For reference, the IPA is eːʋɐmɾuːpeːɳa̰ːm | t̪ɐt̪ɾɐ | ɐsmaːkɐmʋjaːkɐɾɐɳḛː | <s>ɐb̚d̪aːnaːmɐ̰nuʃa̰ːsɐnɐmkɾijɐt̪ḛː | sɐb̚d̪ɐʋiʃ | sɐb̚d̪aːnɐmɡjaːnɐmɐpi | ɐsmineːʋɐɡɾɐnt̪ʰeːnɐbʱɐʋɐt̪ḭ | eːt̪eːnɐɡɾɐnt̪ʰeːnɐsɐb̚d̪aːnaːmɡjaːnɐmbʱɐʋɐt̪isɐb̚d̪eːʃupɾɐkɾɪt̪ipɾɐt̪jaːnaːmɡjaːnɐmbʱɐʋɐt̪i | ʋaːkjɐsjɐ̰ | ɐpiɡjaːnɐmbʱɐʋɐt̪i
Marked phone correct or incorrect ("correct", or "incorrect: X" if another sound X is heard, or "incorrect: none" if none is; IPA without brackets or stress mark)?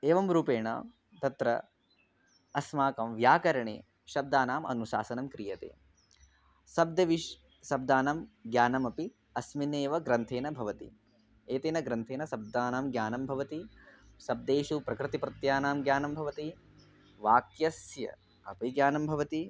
incorrect: ʃ